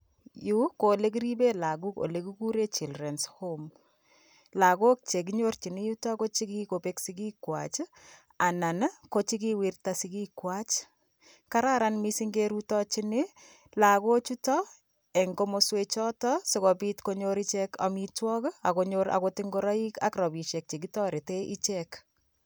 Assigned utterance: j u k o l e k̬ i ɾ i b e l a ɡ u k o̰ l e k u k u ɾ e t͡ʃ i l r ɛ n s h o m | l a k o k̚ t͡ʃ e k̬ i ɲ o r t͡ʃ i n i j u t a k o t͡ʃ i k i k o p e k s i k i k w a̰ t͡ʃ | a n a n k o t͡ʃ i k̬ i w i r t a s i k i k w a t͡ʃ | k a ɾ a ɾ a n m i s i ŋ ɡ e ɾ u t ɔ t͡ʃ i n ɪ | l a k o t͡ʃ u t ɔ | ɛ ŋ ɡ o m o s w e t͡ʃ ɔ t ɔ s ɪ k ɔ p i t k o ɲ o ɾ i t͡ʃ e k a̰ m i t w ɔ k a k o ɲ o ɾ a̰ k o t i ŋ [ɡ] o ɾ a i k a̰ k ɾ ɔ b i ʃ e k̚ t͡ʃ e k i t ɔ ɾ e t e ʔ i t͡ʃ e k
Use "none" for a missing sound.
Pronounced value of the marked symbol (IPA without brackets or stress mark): ɡ